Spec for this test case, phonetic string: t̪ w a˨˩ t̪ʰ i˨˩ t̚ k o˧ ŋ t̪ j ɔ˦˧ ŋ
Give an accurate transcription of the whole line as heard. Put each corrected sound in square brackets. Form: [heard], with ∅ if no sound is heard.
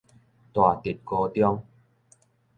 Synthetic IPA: t̪ w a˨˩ [t̪] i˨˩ t̚ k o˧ [∅] t̪ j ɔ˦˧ ŋ

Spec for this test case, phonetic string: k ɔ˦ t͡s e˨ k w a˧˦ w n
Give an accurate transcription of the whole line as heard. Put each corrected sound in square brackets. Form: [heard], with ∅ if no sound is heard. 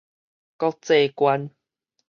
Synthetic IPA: k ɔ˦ t͡s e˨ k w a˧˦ [∅] n

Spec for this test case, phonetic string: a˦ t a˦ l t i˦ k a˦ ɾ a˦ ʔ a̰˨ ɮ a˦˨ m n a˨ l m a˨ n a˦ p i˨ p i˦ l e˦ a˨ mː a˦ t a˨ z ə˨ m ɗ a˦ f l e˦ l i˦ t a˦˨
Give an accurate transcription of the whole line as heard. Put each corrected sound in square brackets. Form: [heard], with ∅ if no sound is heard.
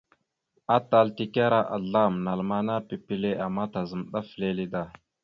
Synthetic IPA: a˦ t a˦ l t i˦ k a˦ ɾ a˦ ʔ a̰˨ ɮ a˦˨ m n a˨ l m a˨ n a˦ p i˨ p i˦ l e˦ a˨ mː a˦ t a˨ z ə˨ m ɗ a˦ f l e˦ l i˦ [d] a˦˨

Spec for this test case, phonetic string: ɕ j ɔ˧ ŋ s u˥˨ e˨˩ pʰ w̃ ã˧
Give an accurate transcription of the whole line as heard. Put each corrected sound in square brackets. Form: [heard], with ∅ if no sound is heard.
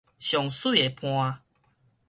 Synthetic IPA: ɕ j [ɔ˨˩] ŋ s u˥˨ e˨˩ pʰ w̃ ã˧

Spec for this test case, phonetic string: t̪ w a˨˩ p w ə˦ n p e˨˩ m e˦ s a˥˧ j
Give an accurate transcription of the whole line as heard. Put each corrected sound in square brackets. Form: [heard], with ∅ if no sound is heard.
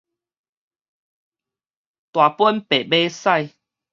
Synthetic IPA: t̪ w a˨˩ p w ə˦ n p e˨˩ [b] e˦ s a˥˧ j

